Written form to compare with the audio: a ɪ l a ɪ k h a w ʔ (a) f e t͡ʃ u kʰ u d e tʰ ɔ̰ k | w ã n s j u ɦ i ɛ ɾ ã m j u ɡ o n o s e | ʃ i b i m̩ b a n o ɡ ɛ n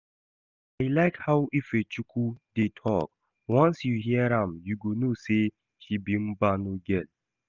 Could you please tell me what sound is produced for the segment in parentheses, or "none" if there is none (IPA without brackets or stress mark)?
i